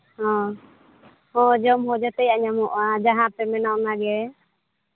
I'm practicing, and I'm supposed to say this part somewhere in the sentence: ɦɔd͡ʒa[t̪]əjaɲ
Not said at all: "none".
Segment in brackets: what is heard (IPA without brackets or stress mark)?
t̪